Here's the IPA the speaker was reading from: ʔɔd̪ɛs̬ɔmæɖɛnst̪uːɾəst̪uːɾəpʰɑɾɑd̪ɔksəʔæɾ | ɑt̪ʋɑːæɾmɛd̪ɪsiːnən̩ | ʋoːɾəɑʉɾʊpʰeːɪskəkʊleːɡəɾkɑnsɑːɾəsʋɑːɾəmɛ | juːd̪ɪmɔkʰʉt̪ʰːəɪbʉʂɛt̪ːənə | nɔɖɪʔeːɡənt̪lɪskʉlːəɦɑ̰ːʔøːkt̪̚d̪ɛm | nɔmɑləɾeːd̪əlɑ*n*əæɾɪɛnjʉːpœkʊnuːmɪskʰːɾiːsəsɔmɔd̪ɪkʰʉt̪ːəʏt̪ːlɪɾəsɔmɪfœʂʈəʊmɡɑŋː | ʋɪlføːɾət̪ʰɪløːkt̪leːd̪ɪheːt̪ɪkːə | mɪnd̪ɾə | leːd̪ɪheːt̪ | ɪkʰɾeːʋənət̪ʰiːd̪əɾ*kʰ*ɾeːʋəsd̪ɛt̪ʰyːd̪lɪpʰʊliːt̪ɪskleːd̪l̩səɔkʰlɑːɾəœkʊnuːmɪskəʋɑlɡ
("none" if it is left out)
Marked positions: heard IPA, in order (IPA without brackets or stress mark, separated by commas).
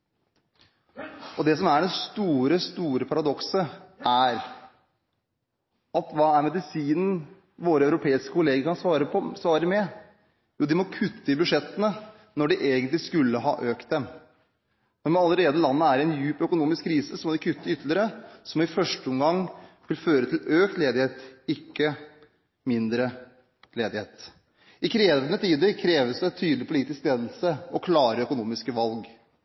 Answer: nː, kʰ